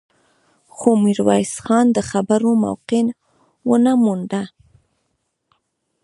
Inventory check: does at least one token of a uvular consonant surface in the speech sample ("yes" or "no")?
yes